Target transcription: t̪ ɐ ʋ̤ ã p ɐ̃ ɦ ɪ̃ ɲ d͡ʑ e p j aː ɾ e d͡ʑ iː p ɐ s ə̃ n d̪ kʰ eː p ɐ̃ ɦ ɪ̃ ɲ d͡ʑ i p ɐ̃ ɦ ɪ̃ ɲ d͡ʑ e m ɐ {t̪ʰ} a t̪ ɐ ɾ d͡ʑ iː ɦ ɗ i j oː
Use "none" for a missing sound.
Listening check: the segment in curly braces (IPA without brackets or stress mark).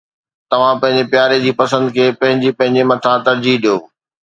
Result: t̪ʰ